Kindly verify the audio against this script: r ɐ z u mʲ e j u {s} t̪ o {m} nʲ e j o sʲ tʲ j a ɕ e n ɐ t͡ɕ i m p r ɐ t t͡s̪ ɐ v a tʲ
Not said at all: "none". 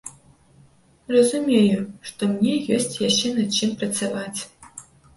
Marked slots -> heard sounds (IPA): ʂ, m

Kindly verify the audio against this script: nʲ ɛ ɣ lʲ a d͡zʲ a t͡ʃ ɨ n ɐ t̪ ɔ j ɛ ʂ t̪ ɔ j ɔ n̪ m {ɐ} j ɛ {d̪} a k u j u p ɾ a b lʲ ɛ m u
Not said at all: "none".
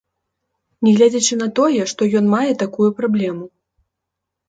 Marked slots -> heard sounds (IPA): a, t̪

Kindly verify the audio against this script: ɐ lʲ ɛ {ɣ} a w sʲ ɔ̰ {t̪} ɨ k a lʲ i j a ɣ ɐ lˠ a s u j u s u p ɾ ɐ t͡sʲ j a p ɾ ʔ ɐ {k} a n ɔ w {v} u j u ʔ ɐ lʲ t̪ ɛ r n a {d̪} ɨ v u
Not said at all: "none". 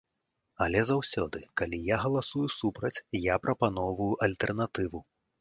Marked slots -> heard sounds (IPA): z, d̪, p, v, t̪

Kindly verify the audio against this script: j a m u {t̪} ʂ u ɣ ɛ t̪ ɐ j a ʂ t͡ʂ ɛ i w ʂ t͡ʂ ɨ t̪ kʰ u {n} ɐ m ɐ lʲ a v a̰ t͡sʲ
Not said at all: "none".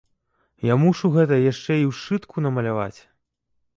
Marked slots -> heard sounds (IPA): none, n

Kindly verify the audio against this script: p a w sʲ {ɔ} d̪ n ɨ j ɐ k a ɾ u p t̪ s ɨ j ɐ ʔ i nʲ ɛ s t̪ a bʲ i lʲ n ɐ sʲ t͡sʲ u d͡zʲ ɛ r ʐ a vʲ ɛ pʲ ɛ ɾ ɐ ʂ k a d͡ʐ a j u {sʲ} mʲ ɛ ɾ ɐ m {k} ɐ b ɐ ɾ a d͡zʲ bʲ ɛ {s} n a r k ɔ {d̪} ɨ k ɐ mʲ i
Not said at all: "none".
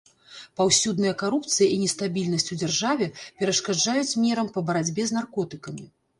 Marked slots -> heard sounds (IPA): u, t͡sʲ, p, z, t̪

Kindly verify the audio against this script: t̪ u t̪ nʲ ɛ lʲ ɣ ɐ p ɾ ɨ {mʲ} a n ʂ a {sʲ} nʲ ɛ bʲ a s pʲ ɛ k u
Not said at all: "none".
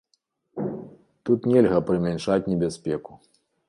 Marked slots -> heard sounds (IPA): mʲ, t͡sʲ

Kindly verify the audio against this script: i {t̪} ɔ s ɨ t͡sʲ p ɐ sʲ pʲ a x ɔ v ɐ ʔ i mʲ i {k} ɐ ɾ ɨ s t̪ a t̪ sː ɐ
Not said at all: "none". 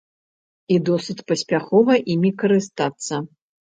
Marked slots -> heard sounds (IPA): d̪, k

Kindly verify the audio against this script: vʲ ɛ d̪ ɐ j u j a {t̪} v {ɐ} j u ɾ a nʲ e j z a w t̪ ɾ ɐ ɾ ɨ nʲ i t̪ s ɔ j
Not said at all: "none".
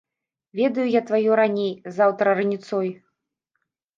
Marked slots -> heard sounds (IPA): t̪, a

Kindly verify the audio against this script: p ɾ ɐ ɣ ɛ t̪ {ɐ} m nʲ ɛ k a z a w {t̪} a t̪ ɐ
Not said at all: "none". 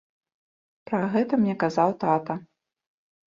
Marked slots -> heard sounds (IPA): ɐ, t̪

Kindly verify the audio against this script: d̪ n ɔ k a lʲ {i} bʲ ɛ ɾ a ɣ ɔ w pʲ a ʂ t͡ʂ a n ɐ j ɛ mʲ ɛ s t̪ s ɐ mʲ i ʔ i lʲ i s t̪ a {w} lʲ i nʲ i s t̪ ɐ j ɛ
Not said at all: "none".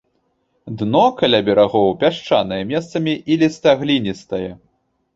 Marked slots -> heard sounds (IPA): a, ɣ

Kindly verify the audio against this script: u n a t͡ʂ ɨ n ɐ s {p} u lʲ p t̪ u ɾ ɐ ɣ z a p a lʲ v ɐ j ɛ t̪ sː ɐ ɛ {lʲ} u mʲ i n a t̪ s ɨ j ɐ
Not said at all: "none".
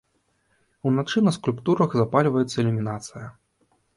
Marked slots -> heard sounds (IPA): k, lʲ

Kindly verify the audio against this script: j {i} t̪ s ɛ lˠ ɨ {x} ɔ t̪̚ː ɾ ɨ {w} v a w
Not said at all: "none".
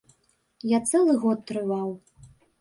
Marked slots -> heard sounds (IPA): a, ɣ, none

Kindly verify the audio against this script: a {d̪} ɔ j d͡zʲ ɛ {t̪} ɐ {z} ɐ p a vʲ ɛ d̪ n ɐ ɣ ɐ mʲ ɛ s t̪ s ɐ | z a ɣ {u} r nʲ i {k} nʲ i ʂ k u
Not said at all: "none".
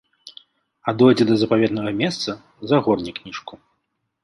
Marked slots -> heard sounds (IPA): d̪, d̪, z, ɔ, k

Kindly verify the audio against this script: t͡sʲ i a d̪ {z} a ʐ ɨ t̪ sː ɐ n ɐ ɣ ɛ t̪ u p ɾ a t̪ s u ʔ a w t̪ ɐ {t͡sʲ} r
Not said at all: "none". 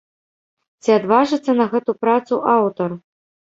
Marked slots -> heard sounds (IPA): v, none

